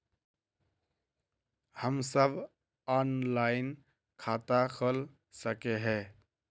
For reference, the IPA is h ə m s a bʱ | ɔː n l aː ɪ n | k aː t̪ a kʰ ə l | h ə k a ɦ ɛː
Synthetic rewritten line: h ə m s ə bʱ | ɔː n l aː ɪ n | kʰ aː t̪ a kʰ ə l | s ə k e ɦ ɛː